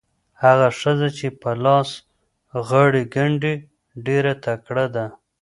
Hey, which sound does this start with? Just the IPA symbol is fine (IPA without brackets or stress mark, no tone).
h